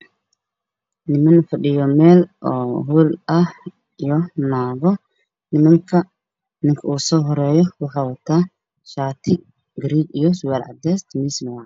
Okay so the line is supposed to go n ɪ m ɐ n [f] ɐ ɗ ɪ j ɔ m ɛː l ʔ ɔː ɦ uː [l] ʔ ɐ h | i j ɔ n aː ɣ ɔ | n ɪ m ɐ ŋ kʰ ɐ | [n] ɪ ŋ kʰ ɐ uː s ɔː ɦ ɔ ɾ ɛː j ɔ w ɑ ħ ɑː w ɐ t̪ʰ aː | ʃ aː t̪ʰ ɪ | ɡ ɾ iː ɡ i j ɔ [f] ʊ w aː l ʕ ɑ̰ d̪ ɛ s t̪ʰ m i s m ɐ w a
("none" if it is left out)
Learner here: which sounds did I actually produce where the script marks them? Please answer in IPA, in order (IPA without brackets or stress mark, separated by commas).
f, l, n, s